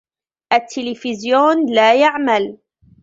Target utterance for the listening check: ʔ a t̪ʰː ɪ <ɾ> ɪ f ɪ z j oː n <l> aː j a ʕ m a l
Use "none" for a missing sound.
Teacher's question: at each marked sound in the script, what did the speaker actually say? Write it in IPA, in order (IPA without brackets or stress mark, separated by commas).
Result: l, l